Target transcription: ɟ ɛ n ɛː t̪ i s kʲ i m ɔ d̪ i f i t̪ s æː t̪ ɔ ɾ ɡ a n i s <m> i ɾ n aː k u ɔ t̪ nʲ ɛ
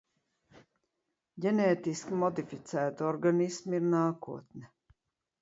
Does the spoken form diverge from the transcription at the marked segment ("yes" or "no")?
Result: no